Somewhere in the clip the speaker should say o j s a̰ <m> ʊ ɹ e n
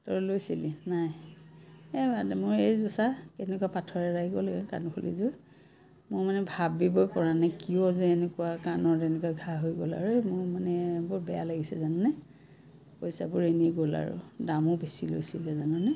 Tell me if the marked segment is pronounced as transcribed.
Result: no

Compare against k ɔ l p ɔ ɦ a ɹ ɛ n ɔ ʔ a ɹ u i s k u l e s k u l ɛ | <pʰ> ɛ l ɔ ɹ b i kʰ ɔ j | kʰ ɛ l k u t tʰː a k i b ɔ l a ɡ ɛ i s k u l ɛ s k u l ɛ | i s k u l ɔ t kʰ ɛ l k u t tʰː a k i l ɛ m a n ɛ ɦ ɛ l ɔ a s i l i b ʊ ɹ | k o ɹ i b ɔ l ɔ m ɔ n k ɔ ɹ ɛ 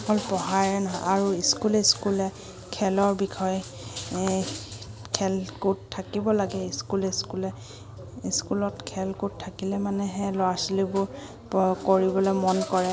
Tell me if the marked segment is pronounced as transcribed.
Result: no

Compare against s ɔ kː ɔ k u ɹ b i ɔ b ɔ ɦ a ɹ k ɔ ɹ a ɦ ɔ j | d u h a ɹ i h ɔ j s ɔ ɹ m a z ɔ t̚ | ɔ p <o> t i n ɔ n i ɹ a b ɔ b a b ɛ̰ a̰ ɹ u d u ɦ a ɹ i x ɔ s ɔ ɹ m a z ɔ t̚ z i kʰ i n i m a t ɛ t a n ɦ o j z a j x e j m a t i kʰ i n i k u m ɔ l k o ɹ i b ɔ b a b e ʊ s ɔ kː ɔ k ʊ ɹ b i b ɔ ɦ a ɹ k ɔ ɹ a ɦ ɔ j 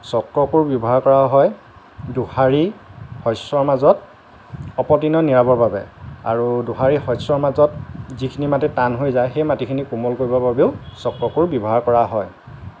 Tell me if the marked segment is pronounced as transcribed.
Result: no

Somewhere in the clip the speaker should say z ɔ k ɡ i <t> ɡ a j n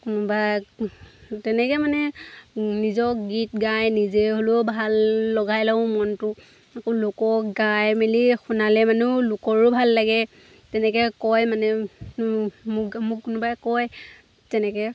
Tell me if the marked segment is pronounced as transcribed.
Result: yes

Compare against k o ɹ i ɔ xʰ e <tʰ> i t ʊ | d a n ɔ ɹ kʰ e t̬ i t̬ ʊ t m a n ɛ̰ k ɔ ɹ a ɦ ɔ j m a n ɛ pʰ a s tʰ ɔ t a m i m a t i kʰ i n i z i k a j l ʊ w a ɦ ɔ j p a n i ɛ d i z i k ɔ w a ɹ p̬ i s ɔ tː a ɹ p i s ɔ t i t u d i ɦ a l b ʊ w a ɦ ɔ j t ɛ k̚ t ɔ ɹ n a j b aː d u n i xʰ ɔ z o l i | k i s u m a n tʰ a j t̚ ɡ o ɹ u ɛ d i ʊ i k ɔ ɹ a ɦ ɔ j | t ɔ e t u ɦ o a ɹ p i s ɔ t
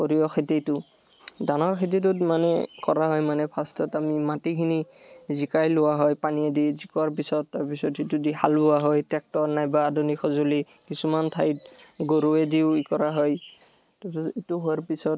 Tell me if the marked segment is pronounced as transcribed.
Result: no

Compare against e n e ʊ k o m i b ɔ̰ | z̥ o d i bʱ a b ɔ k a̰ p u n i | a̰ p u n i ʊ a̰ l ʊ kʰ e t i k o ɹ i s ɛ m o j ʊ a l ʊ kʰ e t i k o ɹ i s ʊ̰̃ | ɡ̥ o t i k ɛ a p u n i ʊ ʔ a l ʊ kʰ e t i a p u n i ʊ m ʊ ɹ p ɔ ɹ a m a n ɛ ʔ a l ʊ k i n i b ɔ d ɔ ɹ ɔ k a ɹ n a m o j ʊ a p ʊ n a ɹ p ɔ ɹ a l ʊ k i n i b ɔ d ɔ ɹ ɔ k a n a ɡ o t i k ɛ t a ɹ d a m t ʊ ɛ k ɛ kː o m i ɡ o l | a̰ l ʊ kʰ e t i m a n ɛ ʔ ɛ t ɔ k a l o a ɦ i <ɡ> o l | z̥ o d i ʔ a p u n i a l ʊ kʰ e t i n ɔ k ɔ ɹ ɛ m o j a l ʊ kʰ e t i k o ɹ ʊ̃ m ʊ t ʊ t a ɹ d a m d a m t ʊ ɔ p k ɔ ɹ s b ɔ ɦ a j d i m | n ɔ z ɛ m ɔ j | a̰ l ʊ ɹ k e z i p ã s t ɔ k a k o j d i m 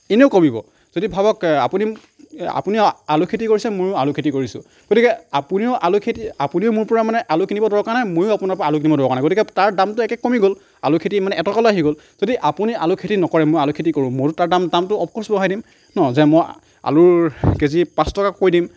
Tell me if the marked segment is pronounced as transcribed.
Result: yes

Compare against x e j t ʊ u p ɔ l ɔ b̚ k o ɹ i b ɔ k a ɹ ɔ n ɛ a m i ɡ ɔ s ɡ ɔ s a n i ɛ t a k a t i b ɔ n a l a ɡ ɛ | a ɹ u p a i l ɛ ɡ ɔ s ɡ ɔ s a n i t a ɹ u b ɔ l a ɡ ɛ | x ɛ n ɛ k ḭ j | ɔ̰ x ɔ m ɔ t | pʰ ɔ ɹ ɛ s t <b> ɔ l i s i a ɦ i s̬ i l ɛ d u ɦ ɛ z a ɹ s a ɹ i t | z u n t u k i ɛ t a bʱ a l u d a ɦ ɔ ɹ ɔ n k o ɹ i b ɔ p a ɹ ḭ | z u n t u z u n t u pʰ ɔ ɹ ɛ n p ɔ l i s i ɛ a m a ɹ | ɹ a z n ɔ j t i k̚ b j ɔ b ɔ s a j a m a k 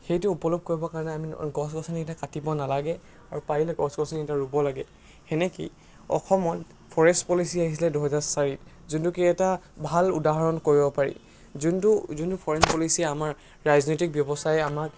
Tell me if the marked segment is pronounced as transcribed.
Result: no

